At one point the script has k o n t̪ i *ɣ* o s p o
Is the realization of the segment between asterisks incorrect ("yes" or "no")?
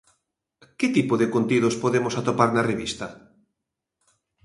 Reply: yes